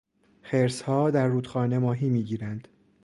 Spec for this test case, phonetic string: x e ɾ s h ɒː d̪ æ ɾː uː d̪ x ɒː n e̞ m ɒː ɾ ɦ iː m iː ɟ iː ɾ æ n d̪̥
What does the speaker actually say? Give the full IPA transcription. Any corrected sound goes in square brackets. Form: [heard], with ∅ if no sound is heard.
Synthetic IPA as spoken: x e ɾ s h ɒː d̪ æ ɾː uː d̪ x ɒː n e̞ m ɒː [∅] ɦ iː m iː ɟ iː ɾ æ n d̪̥